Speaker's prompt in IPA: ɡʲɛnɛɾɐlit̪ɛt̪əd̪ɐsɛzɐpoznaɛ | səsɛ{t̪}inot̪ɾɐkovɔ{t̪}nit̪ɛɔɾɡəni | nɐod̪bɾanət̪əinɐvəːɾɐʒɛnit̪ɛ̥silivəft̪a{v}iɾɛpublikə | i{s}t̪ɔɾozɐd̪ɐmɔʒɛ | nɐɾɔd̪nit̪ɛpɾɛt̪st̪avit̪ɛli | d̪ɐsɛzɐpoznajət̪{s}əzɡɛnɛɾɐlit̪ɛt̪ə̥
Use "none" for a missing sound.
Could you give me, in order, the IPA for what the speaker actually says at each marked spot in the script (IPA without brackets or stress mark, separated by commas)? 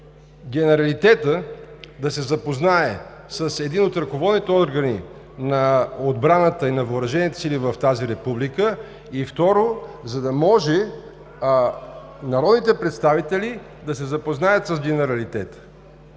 d̪, d̪, z, f, s